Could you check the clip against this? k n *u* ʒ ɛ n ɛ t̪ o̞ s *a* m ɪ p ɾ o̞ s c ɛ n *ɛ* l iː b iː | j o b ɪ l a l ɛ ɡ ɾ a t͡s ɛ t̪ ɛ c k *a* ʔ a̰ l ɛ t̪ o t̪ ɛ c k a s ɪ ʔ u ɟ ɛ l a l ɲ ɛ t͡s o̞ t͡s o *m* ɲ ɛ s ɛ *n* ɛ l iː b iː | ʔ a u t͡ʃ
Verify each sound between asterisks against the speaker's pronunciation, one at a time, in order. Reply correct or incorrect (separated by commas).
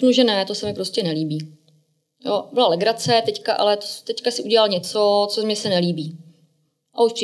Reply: correct, incorrect, correct, correct, correct, correct